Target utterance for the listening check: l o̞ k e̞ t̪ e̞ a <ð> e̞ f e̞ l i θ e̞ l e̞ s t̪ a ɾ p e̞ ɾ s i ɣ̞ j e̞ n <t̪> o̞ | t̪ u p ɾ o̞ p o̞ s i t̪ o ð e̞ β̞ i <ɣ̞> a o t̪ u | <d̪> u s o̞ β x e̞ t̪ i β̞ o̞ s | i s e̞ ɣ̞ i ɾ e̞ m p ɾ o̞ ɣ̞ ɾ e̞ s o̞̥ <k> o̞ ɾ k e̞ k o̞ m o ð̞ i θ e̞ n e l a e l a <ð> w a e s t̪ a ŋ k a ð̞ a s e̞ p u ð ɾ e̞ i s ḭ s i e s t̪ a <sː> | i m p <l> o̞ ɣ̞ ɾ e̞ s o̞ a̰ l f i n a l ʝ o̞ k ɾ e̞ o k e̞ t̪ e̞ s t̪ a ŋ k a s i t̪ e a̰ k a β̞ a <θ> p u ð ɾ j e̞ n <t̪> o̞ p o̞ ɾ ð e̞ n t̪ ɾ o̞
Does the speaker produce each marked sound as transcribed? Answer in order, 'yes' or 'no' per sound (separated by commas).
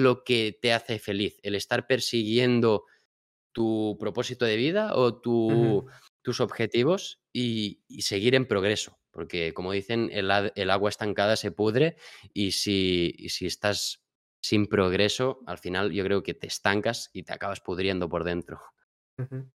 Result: no, no, no, no, no, no, yes, no, no, no